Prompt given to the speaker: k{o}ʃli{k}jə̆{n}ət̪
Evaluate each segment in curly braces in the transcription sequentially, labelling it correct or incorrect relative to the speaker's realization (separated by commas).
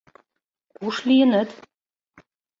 incorrect, incorrect, correct